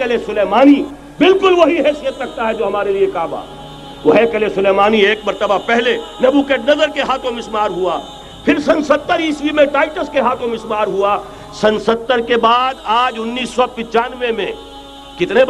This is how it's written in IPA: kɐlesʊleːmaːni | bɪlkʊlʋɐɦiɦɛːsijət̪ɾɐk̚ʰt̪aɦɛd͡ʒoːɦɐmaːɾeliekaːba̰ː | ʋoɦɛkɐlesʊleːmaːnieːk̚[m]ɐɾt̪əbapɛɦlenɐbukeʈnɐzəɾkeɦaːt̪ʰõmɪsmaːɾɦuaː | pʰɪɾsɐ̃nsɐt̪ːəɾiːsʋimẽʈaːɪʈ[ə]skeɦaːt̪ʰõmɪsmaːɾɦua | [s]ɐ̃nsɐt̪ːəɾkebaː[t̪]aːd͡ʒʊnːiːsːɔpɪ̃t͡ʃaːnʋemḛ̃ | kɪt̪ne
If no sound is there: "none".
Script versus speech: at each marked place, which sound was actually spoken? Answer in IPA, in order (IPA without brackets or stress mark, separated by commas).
m, ə, s, d̪